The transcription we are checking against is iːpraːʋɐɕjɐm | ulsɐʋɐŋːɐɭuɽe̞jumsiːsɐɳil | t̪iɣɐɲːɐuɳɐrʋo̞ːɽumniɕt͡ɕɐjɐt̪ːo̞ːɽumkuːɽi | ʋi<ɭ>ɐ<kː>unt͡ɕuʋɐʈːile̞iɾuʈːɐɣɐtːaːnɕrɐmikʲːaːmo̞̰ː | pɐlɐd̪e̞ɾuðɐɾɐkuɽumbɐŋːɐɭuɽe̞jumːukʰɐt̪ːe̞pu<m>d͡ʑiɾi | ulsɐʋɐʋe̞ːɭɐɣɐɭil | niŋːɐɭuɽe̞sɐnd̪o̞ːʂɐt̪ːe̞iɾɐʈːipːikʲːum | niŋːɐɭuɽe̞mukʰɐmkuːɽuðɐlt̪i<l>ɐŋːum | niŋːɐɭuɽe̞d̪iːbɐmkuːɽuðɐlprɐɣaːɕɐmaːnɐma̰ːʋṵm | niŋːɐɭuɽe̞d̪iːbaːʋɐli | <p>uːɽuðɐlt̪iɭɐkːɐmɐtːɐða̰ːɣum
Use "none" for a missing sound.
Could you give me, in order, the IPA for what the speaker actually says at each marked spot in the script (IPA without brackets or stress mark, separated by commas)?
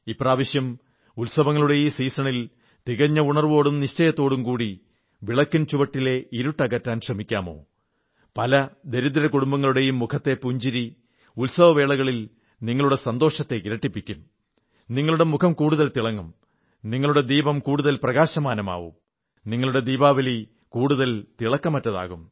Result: ɭ, kː, ɲ, ɭ, k